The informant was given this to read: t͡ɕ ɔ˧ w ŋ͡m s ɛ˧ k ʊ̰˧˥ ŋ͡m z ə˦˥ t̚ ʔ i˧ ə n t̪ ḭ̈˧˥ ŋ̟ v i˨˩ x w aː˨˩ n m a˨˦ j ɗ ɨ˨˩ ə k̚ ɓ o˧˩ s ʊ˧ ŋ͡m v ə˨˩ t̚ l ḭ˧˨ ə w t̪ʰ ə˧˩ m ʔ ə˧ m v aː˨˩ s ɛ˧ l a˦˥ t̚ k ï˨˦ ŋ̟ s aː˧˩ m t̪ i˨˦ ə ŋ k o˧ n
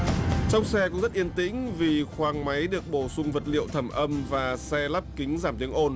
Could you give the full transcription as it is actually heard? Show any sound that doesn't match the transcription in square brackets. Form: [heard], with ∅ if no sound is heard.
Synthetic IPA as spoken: t͡ɕ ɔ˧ w ŋ͡m s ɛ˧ k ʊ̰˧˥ ŋ͡m z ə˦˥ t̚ ʔ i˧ ə n t̪ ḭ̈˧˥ ŋ̟ v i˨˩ x w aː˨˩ [ŋ] m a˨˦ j ɗ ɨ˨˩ ə k̚ ɓ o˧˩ s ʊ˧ ŋ͡m v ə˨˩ t̚ l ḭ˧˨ ə w t̪ʰ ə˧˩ m ʔ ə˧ m v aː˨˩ s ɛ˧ l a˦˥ [p̚] k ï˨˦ ŋ̟ [z] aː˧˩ m t̪ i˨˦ ə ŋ [ʔ] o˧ n